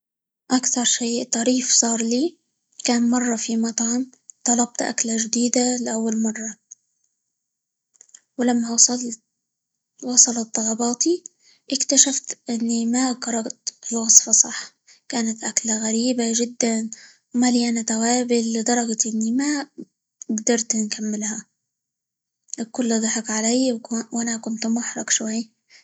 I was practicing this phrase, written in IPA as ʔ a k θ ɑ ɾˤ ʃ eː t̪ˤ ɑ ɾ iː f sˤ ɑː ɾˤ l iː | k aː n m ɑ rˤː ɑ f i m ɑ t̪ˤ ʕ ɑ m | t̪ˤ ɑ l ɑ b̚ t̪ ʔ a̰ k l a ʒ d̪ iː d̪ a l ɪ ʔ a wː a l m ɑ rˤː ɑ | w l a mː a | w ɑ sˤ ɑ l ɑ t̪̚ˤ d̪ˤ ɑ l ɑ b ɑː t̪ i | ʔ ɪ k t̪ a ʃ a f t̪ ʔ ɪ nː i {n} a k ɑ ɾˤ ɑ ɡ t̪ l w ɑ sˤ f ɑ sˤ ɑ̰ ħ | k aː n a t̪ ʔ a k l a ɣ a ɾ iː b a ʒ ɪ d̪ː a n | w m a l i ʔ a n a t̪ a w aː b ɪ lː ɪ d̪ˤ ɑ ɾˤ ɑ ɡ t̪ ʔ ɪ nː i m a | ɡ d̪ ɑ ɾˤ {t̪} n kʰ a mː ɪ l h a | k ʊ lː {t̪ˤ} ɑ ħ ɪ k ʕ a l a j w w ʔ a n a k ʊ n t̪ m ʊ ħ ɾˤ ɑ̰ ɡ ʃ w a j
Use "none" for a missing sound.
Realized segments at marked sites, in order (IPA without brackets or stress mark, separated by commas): m, t̪, d̪ˤ